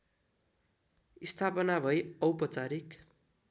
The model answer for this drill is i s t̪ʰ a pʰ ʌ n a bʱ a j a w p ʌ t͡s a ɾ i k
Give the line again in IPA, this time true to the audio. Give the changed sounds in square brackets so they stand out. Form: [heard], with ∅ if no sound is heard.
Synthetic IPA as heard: i s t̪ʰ a [p] ʌ n a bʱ [ʌ] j [ʌ] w p ʌ t͡s a ɾ i k